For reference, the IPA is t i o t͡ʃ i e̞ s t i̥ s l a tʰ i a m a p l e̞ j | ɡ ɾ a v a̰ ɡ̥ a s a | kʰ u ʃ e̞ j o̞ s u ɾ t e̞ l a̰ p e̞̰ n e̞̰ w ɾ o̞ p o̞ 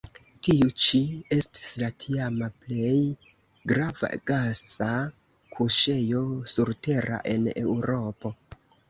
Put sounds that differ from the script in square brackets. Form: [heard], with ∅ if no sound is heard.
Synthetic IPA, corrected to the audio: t i [u] t͡ʃ i e̞ s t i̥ s l a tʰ i a m a p l e̞ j | ɡ ɾ a v a̰ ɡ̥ a s a | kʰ u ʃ e̞ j o̞ s u ɾ t e̞ [ɾ] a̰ [ʔ] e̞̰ n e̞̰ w ɾ o̞ p o̞